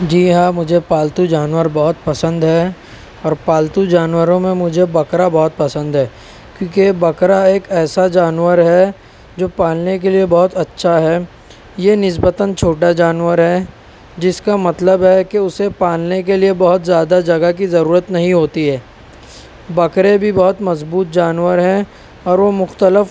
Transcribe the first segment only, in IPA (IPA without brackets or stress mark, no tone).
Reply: d͡ʒ